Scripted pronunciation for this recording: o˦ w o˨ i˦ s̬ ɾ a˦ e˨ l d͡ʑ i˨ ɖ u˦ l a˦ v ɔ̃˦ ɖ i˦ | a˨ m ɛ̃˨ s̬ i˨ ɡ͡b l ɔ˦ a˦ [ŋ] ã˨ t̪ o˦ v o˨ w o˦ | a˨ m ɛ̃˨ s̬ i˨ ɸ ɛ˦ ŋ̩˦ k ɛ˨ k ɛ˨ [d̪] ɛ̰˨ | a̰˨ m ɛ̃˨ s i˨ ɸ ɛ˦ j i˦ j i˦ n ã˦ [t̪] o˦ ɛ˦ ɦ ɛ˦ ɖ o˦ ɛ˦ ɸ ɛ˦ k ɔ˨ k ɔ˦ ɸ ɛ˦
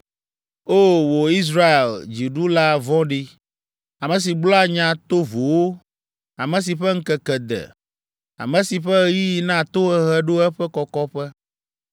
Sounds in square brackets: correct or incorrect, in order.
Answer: incorrect: ɲ, correct, correct

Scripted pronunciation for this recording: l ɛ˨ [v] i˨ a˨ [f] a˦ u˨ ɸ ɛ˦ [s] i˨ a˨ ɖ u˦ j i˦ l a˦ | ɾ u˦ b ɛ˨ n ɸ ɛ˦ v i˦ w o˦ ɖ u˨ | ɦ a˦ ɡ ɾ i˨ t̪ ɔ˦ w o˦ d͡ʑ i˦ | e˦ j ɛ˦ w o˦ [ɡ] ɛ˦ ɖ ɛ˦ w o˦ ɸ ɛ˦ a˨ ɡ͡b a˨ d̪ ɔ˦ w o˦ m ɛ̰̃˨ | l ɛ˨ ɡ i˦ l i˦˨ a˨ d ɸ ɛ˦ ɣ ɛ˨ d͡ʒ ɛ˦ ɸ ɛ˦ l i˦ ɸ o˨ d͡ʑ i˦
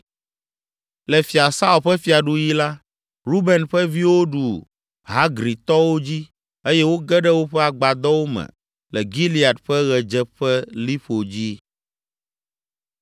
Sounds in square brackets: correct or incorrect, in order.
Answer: incorrect: f, incorrect: s, incorrect: f, correct

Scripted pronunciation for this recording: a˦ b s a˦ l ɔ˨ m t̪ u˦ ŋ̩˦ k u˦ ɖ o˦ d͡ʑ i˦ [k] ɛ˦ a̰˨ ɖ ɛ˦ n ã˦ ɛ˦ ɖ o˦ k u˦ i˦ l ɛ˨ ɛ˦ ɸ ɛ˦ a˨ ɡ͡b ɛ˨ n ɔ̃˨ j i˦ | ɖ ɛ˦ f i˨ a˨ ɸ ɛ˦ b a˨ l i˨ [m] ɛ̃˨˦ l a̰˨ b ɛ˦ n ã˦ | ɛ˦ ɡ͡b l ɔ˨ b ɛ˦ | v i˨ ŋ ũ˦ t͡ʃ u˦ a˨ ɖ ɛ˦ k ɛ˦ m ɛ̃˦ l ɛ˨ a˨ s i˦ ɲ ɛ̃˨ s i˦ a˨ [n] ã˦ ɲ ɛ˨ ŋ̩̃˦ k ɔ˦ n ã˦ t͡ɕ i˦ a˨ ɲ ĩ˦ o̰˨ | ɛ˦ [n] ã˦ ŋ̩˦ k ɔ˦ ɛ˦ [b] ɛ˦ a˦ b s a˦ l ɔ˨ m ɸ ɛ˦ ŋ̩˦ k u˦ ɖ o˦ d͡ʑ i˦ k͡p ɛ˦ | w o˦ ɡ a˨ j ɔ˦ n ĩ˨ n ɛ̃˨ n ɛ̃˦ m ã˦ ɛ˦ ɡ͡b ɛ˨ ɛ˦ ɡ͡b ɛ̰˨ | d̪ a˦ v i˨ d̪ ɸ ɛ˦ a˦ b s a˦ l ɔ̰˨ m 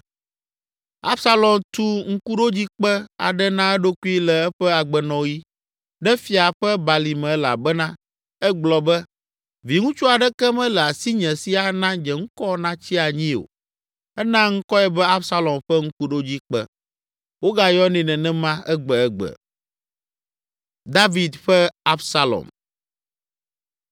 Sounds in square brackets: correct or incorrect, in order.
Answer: incorrect: k͡p, correct, correct, correct, correct

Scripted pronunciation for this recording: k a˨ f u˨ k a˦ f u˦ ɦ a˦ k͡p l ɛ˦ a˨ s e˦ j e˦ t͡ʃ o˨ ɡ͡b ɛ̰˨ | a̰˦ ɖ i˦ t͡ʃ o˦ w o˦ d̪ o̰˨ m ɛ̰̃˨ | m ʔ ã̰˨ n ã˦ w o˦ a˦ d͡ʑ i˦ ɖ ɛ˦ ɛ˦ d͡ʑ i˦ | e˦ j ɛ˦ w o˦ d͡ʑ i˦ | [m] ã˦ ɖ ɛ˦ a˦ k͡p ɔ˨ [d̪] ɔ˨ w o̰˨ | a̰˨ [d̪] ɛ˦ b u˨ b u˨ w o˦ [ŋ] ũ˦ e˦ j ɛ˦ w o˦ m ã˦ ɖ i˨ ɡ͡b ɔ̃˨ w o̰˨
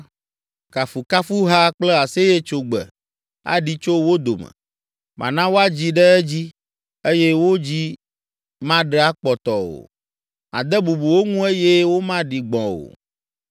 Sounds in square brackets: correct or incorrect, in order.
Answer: correct, incorrect: t̪, correct, correct

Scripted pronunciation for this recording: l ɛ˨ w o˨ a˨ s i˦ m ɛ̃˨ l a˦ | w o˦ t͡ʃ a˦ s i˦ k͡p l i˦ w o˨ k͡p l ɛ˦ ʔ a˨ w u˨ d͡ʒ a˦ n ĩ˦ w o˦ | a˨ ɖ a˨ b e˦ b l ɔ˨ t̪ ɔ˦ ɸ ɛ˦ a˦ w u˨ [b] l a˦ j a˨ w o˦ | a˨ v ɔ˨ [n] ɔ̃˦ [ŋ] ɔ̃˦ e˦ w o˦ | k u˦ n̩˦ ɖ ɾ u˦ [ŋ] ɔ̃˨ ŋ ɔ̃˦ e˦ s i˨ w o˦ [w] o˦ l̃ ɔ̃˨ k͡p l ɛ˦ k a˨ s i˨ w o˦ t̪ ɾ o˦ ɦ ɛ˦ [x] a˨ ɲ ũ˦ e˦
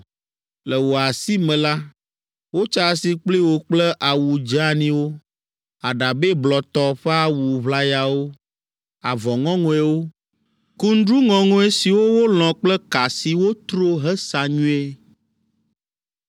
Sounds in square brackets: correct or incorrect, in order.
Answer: incorrect: β, incorrect: ŋ, correct, correct, correct, incorrect: s

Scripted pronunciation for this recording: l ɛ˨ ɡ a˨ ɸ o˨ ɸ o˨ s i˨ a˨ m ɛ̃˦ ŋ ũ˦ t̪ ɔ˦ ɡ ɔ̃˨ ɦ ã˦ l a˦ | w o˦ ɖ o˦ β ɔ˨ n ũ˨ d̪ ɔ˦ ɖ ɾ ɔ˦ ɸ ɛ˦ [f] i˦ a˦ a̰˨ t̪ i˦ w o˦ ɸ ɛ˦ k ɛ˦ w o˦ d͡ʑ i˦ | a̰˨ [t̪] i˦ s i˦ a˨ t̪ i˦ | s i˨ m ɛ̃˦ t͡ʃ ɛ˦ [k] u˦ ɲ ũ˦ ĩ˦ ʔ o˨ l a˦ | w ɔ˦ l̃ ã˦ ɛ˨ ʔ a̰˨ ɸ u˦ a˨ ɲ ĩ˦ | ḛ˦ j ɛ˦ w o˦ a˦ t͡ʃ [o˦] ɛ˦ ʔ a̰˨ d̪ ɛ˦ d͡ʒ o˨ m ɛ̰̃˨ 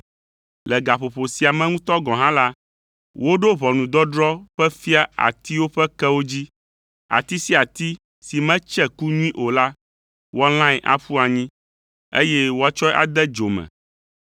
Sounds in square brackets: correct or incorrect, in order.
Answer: correct, correct, correct, incorrect: ɔ˦

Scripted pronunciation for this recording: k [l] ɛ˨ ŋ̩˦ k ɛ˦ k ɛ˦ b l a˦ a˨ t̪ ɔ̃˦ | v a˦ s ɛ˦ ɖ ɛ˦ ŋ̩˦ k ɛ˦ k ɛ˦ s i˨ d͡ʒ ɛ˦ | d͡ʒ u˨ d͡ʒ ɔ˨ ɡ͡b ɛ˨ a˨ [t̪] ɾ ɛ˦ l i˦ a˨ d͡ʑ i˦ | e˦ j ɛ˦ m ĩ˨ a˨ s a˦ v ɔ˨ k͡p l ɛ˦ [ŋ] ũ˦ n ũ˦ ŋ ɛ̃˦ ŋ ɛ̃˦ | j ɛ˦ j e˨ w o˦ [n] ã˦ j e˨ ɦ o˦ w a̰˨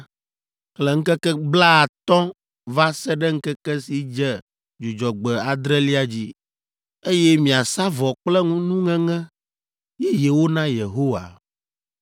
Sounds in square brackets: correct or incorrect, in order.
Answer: correct, incorrect: d̪, correct, correct

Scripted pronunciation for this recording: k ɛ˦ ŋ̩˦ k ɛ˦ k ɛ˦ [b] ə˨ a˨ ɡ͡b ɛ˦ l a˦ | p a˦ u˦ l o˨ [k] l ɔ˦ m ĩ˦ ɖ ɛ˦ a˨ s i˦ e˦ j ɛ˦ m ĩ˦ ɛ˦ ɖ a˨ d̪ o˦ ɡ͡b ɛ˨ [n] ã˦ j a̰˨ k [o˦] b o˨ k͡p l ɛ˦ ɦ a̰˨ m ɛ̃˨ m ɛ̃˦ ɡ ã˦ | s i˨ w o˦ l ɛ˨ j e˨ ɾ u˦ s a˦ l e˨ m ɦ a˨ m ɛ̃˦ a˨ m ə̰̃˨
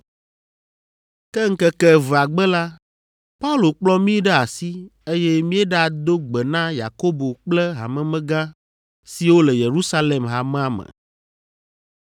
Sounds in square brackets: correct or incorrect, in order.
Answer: incorrect: v, incorrect: k͡p, correct, correct

